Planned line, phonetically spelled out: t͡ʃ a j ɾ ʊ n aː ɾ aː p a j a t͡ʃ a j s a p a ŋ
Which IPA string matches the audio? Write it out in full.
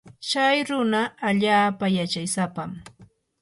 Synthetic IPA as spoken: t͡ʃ a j ɾ ʊ n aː ʎ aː p a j a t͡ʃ a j s a p a m